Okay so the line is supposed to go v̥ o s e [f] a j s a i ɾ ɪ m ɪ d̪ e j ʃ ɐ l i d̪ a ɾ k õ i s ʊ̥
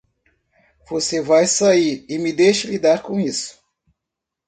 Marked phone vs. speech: incorrect: v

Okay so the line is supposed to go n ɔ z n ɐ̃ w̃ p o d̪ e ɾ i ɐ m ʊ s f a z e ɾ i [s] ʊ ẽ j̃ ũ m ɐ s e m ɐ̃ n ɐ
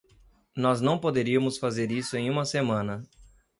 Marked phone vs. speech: correct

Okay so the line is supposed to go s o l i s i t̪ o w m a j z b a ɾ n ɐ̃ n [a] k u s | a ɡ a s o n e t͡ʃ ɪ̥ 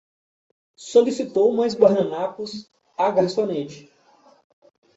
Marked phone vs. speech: correct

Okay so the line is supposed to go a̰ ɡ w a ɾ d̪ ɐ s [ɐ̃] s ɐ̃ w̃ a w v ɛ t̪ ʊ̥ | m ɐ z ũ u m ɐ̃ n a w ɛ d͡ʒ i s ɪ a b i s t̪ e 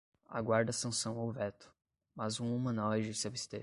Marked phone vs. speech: correct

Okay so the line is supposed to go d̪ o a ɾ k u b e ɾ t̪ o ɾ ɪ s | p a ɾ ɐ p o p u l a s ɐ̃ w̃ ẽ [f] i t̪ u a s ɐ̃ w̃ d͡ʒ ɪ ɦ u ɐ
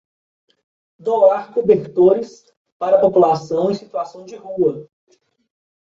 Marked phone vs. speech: incorrect: s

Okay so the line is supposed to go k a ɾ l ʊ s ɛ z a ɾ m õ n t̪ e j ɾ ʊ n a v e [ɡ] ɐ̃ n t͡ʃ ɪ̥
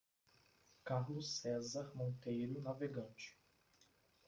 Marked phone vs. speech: correct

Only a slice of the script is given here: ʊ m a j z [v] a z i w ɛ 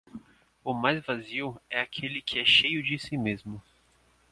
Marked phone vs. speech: correct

